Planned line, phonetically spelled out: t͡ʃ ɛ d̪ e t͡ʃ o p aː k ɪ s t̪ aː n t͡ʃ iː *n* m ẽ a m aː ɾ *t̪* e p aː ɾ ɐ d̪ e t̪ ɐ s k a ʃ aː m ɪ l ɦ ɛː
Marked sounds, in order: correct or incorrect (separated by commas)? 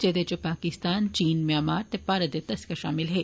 correct, correct